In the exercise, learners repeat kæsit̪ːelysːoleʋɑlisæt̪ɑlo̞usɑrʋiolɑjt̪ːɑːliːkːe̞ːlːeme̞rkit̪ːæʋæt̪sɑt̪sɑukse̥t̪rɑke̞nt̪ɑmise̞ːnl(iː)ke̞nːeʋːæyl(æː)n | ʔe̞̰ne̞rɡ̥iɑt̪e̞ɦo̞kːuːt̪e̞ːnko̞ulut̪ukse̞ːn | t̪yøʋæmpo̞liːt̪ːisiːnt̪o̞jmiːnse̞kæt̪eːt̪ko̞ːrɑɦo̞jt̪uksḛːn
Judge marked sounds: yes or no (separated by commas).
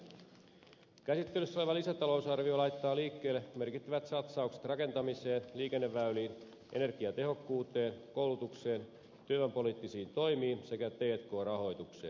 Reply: yes, no